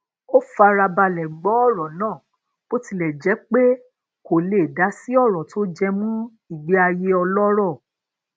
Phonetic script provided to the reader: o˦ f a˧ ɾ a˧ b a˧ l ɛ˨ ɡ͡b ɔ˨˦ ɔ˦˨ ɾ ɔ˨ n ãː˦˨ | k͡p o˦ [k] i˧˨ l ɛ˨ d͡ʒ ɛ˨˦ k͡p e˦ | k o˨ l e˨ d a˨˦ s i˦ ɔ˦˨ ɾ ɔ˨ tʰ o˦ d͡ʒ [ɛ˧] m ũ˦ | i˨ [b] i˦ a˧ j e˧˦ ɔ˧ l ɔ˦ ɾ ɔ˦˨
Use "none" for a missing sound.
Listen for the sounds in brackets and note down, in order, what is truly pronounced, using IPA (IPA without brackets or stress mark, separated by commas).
t, ɛ˧, ɡ͡b